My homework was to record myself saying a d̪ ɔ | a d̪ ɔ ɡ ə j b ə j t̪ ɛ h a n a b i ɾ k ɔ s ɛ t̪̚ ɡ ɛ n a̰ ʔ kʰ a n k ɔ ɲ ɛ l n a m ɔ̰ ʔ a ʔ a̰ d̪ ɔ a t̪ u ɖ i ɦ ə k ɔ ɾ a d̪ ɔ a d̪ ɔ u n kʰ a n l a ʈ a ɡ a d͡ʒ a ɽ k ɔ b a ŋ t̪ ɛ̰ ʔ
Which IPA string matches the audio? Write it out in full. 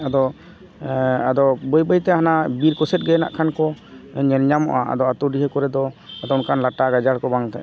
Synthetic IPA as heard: a d̪ ɔ | a d̪ ɔ b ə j b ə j t̪ ɛ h a n a b i ɾ k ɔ s ɛ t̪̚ ɡ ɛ n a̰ ʔ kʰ a n k ɔ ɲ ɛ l ɲ a m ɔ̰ ʔ a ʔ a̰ d̪ ɔ a t̪ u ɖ i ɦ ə k ɔ ɾ ɛ d̪ ɔ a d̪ ɔ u n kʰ a n l a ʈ a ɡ a d͡ʒ a ɽ k ɔ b a ŋ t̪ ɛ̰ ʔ